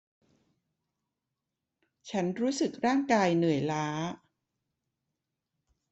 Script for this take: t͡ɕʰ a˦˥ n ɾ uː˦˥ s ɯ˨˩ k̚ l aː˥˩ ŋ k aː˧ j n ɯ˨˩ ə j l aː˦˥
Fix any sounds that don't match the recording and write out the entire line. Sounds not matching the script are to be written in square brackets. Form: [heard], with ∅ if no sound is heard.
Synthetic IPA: t͡ɕʰ a˦˥ n ɾ uː˦˥ s ɯ˨˩ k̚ [ɾ] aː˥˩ ŋ k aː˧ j n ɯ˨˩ ə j l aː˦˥